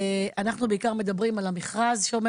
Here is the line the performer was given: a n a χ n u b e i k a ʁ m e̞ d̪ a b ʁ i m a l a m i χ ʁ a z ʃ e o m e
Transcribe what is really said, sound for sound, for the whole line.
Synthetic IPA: a n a χ n u b e i k a ʁ m e̞ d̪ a b ʁ i m a l a m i χ ʁ a z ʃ e o m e